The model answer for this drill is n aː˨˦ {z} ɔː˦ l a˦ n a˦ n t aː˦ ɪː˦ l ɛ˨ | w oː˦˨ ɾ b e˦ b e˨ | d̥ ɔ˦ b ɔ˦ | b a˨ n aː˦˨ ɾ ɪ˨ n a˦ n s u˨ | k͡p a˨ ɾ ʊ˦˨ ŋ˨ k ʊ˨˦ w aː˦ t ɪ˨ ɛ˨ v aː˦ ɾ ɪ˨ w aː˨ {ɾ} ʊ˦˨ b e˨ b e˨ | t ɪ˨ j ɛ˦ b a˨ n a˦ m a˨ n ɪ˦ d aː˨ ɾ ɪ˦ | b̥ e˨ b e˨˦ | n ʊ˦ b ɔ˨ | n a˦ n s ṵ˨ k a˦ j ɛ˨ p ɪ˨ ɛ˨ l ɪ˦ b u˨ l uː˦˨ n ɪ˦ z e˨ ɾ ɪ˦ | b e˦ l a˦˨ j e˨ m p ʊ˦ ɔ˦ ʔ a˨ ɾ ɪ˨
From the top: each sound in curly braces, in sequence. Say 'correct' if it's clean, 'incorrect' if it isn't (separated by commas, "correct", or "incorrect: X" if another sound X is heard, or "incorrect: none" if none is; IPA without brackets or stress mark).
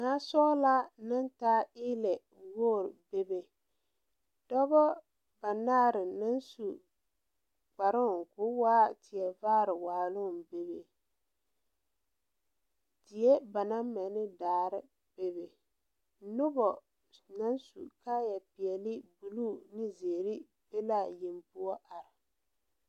incorrect: s, incorrect: l